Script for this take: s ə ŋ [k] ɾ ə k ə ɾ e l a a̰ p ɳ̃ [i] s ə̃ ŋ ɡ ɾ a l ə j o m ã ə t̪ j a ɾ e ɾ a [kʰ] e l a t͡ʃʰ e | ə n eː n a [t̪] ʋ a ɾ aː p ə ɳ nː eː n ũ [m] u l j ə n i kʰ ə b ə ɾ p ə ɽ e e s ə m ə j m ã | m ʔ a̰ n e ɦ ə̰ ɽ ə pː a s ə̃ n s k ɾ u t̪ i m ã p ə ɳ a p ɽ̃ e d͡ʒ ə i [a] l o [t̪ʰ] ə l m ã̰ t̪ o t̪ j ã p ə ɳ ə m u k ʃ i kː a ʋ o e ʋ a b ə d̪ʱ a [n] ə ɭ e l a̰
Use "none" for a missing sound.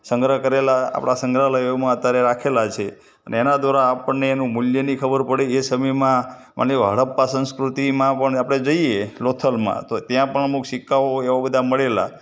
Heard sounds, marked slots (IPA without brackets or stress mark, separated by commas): ɡ, a, kʰ, d̪, m, e, t̪ʰ, m